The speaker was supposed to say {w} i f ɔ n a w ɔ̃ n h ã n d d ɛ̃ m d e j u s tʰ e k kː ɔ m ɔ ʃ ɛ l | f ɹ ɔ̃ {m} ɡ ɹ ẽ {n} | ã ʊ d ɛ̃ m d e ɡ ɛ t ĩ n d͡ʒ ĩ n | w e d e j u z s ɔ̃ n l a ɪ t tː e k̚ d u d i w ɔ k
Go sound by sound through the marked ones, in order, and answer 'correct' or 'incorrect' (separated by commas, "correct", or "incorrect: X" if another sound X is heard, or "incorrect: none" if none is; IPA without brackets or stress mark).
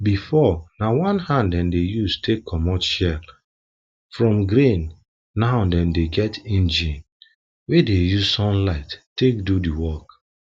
incorrect: b, correct, incorrect: nː